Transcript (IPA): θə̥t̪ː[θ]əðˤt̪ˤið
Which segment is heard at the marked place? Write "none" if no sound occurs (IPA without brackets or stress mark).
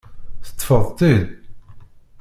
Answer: f